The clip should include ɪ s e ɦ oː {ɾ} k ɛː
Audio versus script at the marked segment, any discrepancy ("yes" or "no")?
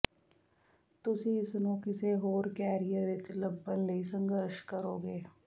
no